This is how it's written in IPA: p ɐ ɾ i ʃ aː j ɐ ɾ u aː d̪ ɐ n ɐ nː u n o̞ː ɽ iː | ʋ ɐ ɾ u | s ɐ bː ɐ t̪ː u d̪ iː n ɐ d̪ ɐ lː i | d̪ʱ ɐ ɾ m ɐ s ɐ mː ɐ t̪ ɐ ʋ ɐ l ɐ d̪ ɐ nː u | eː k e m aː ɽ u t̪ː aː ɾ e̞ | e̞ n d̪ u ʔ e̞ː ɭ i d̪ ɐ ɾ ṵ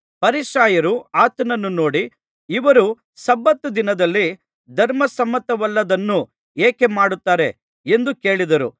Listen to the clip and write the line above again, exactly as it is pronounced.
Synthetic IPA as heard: p ɐ ɾ i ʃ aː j ɐ ɾ u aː t̪ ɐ n ɐ nː u n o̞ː ɽ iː | ʋ ɐ ɾ u | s ɐ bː ɐ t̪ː u d̪ i n ɐ d̪ ɐ lː i | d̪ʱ ɐ ɾ m ɐ s ɐ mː ɐ t̪ ɐ ʋ ɐ lː ɐ d̪ ɐ nː u | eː k e m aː ɽ u t̪ː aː ɾ e̞ | e̞ n d̪ u k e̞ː ɭ i d̪ ɐ ɾ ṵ